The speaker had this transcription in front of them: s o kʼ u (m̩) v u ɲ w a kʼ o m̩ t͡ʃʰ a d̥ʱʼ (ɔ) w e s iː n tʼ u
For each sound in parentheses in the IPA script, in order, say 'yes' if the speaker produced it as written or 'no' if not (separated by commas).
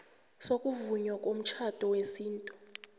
no, yes